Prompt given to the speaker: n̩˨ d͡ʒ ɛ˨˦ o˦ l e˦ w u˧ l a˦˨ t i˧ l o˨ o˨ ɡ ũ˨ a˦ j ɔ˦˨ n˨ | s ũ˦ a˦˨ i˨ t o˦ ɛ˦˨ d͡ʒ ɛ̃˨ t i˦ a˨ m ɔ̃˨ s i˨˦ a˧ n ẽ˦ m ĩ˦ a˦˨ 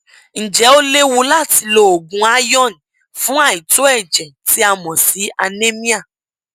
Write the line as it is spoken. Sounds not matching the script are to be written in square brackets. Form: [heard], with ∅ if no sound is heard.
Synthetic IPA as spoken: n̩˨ d͡ʒ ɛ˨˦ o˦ l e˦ w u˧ l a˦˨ t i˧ l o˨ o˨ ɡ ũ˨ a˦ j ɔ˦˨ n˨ | [f] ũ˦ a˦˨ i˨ t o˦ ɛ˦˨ d͡ʒ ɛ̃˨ t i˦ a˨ m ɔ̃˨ s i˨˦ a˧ n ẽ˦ m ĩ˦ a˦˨